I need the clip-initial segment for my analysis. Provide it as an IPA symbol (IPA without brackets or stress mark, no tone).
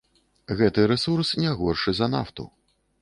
ɣ